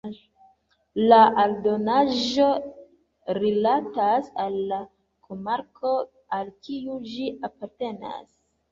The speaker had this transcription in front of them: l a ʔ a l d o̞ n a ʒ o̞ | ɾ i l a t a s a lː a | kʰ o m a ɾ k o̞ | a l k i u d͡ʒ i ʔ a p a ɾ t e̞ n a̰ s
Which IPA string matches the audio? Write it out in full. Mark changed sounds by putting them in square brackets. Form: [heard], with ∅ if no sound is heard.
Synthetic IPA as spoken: l a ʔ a l d o̞ n a ʒ o̞ | ɾ i l a t a s a lː a | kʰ o m a ɾ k o̞ | a l k i u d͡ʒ i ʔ a p a ɾ t e̞ n a̰ s